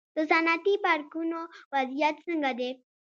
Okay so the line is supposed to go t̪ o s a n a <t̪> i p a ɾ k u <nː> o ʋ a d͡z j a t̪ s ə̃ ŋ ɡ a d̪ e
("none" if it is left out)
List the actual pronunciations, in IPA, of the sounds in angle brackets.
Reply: t̪, n

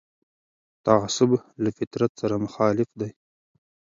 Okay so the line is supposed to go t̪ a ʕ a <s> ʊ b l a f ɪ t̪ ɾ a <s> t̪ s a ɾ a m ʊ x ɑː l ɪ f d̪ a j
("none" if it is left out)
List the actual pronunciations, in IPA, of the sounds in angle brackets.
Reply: s, none

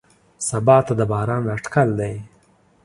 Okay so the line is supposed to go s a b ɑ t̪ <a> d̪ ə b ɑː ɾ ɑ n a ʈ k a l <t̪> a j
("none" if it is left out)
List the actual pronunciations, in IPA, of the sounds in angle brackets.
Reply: a, d̪

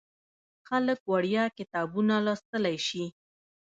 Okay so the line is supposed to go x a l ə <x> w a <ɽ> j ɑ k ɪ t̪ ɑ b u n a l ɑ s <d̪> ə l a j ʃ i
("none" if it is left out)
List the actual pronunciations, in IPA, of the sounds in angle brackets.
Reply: k, ɽ, t̪

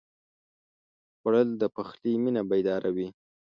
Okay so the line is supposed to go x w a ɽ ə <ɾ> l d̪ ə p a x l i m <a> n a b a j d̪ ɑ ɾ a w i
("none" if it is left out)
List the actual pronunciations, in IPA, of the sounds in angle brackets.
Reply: none, i

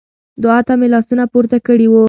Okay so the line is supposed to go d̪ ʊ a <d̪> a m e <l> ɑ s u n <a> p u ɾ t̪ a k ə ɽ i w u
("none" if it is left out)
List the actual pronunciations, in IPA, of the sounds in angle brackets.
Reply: t̪, l, a

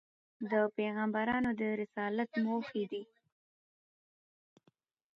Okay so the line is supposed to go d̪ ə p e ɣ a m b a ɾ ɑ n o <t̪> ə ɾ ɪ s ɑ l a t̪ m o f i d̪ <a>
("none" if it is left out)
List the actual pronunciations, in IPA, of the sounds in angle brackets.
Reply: d̪, i

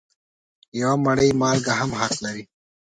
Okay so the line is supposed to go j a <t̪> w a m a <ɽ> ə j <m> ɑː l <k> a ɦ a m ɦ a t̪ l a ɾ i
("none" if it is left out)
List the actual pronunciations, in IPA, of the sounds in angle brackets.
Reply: none, ɽ, m, ɡ

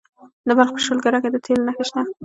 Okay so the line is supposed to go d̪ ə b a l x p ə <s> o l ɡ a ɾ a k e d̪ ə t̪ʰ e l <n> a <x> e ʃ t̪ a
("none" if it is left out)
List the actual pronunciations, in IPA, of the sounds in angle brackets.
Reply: ʃ, n, x

